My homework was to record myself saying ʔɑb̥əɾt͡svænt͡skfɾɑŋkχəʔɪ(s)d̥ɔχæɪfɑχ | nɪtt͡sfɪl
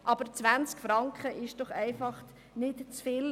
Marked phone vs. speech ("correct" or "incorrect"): incorrect